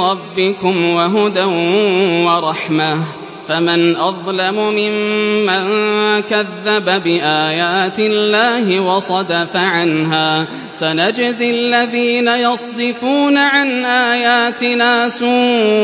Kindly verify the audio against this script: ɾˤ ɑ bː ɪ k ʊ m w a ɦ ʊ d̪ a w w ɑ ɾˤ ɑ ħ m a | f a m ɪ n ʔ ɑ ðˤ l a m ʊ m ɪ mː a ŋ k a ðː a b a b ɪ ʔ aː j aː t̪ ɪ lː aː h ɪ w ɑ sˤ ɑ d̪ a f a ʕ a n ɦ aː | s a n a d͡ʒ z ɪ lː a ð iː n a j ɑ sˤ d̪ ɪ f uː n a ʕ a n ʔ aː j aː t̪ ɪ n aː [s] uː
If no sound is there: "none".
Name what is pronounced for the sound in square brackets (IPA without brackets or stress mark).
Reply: s